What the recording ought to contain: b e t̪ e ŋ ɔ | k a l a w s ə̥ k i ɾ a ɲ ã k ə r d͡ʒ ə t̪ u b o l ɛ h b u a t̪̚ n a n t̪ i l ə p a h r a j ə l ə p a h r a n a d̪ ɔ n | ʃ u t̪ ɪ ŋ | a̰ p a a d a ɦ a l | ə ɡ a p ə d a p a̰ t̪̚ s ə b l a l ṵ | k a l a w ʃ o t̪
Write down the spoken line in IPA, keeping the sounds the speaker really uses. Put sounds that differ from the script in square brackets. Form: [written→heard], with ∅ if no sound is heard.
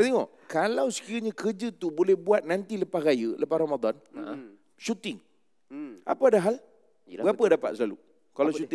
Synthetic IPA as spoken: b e t̪ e ŋ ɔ | k a l a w s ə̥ k i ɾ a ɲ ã k ə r d͡ʒ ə t̪ u b o l ɛ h b u a t̪̚ n a n t̪ i l ə p a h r a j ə l ə p a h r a [n→m] a d̪ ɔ n | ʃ u t̪ ɪ ŋ | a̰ p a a d a ɦ a l | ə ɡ a p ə d a p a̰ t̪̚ s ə [b→∅] l a l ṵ | k a l a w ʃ [o→u] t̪